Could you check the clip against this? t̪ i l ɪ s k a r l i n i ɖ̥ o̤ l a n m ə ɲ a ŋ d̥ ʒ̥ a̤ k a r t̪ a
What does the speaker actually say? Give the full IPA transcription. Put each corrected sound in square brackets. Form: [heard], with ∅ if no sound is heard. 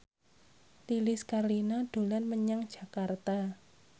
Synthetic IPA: t̪ i l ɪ s k a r l i n [a] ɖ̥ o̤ l a n m ə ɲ a ŋ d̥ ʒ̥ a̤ k a r t̪ a